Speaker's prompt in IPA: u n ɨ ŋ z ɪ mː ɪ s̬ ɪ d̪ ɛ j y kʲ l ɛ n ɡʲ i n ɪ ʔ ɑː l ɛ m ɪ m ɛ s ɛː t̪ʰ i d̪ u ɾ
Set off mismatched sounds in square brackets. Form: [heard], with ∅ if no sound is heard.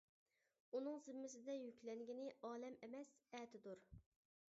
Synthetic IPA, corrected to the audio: u n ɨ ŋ z ɪ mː ɪ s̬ ɪ d̪ ɛ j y kʲ l ɛ [ŋ] ɡʲ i n ɪ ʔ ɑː l ɛ m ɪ m ɛ s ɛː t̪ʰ [ɪ] d̪ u ɾ